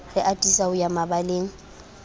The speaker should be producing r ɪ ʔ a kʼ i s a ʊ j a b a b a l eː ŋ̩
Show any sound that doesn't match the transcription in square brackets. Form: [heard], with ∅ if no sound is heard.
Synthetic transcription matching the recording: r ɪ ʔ a [tʼ] i s a ʊ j a [m] a b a l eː ŋ̩